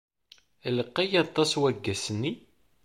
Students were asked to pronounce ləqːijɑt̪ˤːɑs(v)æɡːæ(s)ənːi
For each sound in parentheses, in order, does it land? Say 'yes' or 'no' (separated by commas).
no, yes